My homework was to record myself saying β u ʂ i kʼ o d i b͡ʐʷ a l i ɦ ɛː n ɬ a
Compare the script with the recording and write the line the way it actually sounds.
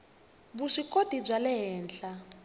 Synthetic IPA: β u ʂ i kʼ o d i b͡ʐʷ a l ɛ ɦ ɛː n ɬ a